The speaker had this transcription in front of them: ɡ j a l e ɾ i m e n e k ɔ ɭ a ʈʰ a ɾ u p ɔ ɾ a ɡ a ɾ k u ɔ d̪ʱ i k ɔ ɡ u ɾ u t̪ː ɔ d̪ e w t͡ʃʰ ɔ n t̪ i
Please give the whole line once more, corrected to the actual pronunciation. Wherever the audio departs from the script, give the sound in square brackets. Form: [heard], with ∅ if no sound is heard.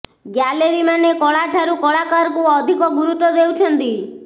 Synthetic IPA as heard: ɡ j a l e ɾ i m [a] n e k ɔ ɭ a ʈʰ a ɾ u [k] ɔ [ɭ] a [k] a ɾ k u ɔ d̪ʱ i k ɔ ɡ u ɾ u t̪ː ɔ d̪ e w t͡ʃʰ ɔ n t̪ i